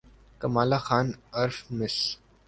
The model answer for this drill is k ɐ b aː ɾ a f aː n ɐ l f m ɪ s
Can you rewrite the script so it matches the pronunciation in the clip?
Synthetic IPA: k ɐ m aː l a x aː n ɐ ɾ f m ɪ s